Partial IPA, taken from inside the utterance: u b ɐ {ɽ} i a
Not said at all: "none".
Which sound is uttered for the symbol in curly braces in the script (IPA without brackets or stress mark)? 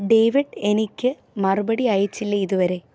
ɽ